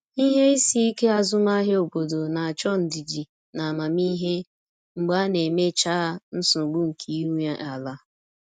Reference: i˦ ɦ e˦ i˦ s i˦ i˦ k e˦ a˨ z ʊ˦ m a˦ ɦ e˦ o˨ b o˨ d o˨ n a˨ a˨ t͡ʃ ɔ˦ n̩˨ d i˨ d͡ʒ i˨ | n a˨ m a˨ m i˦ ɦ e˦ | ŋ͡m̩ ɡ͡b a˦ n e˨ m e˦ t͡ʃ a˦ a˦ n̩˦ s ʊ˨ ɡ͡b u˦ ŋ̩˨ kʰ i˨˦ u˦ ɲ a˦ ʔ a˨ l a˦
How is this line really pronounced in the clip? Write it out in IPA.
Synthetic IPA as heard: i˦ ɦ e˦ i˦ s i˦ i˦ k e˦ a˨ z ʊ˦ m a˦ ɦ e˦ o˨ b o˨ d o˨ n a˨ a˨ t͡ʃ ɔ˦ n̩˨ d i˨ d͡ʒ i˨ | n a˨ m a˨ m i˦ ɦ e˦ | ŋ͡m̩ ɡ͡b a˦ n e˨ m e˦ t͡ʃ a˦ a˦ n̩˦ s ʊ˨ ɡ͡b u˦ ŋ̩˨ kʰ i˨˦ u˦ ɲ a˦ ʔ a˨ l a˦